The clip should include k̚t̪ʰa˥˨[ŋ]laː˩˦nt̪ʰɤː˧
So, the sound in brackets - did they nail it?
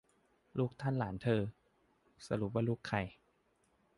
no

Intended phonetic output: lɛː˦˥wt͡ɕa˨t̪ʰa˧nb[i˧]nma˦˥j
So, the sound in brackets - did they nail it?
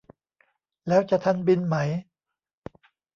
yes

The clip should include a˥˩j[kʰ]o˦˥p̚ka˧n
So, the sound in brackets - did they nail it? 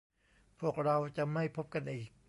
no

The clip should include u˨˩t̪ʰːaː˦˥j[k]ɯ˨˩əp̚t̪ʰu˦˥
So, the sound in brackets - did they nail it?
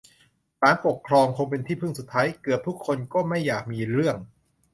yes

